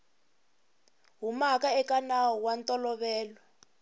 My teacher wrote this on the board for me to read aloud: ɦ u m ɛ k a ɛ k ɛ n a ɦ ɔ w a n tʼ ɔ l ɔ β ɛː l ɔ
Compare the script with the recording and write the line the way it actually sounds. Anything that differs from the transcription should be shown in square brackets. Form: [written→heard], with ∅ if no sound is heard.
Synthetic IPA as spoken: ɦ u m [ɛ→a] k a ɛ k [ɛ→a] n a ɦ ɔ w a n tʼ ɔ l ɔ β ɛː l ɔ